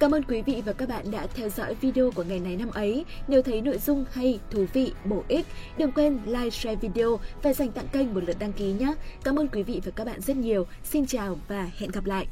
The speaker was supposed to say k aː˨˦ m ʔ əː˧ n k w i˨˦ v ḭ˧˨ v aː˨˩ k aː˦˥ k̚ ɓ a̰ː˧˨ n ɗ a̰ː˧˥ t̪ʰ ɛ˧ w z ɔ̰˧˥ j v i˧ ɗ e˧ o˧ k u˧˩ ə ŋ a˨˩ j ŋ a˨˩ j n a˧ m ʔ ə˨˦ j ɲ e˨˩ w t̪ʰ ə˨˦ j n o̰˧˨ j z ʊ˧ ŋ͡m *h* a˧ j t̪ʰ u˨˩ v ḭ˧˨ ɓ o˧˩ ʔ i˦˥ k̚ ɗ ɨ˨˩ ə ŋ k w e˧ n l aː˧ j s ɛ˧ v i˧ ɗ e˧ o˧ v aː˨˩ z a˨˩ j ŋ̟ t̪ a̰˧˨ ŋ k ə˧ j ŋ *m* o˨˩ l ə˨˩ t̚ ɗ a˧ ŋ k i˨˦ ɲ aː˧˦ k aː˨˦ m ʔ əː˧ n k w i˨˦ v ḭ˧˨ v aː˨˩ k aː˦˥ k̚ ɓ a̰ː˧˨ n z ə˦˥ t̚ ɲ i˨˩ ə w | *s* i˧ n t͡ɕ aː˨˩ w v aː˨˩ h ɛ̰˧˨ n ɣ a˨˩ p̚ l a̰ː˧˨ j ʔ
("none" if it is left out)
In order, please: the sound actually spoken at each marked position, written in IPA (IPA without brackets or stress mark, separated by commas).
h, m, s